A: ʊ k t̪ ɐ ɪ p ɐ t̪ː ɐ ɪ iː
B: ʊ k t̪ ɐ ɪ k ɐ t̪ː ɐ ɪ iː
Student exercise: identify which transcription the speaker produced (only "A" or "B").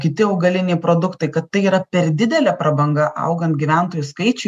B